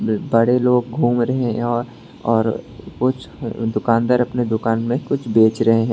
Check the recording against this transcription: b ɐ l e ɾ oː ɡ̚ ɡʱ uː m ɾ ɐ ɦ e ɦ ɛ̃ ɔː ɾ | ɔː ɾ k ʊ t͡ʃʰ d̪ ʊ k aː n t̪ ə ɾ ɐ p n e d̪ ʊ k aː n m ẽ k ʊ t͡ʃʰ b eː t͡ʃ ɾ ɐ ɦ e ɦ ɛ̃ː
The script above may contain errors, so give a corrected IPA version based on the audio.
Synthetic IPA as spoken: b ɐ ɽ e l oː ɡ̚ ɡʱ uː m ɾ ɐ ɦ e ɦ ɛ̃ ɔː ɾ | ɔː ɾ k ʊ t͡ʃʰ d̪ ʊ k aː n d̪ ə ɾ ɐ p n e d̪ ʊ k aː n m ẽ k ʊ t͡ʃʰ b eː t͡ʃ ɾ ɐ ɦ e ɦ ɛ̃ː

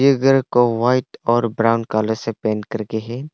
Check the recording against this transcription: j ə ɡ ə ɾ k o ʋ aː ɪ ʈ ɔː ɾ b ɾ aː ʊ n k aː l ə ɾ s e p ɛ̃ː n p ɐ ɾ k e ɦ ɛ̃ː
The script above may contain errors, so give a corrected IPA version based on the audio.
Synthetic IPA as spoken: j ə ɡ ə ɾ k o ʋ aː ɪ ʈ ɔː ɾ b ɾ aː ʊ n k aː l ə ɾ s e p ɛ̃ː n k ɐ ɾ k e ɦ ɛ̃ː

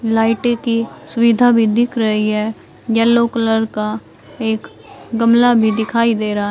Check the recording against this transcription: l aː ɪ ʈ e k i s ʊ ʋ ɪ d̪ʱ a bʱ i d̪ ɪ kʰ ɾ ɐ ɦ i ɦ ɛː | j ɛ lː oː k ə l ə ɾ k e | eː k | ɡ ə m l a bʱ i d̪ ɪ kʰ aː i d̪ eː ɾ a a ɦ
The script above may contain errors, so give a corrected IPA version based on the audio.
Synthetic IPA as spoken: l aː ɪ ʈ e k i s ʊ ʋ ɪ d̪ʱ a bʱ i d̪ ɪ kʰ ɾ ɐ ɦ i ɦ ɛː | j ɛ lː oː k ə l ə ɾ k a | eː k | ɡ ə m l a bʱ i d̪ ɪ kʰ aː i d̪ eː ɾ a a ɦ

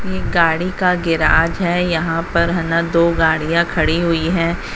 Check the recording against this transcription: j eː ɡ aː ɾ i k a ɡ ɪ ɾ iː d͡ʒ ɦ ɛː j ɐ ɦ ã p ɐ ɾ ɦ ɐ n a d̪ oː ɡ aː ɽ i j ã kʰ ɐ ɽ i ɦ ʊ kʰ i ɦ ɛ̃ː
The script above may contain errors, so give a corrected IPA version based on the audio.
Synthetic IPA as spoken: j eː ɡ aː ɽ i k a ɡ ɪ ɾ aː d͡ʒ ɦ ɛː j ɐ ɦ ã p ɐ ɾ ɦ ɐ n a d̪ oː ɡ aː ɽ i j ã kʰ ɐ ɽ i ɦ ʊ i ɦ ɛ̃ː

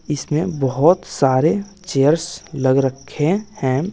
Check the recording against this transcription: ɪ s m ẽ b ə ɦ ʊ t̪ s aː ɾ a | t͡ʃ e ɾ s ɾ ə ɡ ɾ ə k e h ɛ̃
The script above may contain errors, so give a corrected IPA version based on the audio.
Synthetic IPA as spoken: ɪ s m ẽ b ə ɦ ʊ t̪ s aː ɾ e | t͡ʃ e ɾ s l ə ɡ ɾ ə kʰ e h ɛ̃

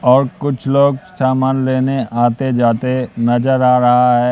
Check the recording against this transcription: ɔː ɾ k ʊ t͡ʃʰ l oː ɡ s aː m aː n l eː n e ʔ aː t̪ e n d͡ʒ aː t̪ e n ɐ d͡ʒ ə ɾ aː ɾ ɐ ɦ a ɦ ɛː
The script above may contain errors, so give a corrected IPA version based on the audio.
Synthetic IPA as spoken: ɔː ɾ k ʊ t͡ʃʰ l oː ɡ s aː m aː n l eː n e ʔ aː t̪ e d͡ʒ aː t̪ e n ɐ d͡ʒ ə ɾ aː ɾ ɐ ɦ a ɦ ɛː

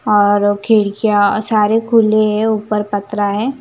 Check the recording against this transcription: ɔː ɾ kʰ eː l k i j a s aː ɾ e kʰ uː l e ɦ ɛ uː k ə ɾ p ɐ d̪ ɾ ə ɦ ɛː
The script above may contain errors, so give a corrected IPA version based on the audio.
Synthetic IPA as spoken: ɔː ɾ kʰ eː ɽ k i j a s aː ɾ e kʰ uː l e ɦ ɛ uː p ə ɾ p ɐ t̪ ɾ a ɦ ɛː

